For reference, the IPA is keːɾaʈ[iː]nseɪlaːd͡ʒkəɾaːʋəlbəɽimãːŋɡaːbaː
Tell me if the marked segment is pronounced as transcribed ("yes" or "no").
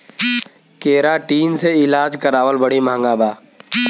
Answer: yes